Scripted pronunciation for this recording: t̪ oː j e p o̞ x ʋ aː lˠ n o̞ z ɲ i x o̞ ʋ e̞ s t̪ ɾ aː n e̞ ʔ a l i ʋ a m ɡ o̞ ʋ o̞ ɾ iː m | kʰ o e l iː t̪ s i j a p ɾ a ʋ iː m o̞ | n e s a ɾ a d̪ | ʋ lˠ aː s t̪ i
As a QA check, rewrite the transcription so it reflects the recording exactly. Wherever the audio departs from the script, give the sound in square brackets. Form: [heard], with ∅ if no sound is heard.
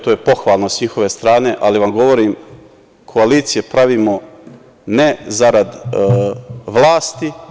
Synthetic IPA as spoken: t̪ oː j e p o̞ x ʋ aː lˠ n o̞ [s] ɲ i x o̞ ʋ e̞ s t̪ ɾ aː n e̞ ʔ a l i ʋ a m ɡ o̞ ʋ o̞ ɾ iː m | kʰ o [a] l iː t̪ s i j [e] p ɾ a ʋ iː m o̞ | n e [z] a ɾ a d̪ | ʋ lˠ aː s t̪ i